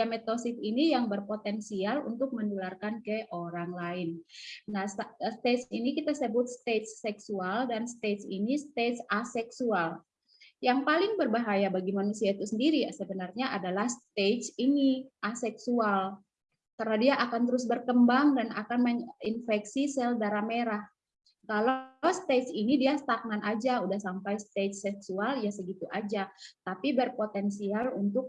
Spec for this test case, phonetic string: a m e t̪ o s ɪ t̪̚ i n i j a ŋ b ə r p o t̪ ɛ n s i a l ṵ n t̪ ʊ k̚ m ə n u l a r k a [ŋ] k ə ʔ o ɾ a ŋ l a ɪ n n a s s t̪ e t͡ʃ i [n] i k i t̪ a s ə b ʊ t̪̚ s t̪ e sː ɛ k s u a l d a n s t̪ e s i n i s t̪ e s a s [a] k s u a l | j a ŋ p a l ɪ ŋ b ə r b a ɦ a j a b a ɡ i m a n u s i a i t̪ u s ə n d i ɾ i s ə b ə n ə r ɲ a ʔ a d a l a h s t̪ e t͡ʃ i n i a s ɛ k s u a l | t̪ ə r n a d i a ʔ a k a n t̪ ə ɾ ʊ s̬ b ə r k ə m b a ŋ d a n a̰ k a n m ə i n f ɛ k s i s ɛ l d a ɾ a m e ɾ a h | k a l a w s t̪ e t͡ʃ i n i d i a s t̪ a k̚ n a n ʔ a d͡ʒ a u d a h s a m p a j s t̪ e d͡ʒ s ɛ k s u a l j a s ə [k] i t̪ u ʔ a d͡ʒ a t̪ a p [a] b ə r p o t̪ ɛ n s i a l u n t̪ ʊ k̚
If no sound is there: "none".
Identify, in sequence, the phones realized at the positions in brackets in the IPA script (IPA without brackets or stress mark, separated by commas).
n, n, ɛ, ɡ, i